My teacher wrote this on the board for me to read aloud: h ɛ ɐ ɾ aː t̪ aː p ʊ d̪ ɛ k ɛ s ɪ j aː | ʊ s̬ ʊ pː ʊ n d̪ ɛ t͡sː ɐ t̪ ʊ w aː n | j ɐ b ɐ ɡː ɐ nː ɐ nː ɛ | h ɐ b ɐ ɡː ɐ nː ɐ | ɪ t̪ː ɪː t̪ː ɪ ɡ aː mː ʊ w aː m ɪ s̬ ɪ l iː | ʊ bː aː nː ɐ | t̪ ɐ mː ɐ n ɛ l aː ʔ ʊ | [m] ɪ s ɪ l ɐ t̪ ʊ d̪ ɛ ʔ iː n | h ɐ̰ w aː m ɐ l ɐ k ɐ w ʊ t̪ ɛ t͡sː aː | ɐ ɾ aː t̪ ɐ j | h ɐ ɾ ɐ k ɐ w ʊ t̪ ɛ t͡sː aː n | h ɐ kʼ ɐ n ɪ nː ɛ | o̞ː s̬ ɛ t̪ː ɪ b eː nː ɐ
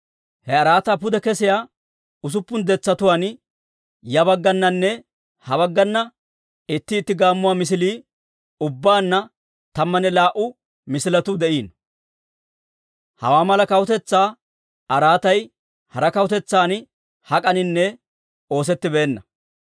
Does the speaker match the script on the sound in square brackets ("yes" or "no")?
yes